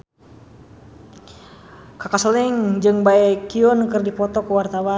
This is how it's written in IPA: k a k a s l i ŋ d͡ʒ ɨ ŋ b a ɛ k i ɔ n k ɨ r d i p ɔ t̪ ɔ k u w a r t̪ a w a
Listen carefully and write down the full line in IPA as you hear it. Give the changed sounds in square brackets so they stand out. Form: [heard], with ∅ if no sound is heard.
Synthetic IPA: k a k a s l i ŋ d͡ʒ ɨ ŋ b a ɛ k i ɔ n k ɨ r d i p ɔ t̪ ɔ k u w a r t̪ a w a